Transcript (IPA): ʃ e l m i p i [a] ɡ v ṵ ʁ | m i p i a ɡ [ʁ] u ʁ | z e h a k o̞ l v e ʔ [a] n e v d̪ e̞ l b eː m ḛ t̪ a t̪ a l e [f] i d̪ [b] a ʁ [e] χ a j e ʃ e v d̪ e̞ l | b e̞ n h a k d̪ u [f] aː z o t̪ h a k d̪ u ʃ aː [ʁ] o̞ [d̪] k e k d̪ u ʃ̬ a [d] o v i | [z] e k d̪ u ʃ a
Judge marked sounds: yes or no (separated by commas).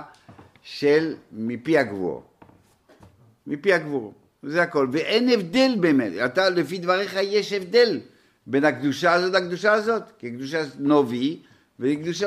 yes, no, no, yes, no, yes, no, no, no, no, no